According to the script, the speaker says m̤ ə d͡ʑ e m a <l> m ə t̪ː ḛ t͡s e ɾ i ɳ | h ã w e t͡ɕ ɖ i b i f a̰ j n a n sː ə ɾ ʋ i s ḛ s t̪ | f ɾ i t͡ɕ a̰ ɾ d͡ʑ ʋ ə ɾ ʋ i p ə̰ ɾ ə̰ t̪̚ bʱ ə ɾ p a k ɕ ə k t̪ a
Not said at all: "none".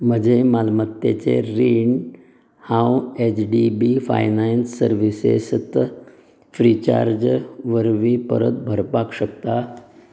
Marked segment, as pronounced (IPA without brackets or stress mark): l